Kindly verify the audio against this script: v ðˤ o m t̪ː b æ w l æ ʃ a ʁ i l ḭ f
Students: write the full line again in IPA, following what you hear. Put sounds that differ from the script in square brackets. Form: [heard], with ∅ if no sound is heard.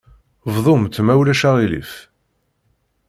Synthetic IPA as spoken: v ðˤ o m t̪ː [m] æ w l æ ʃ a ʁ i l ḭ f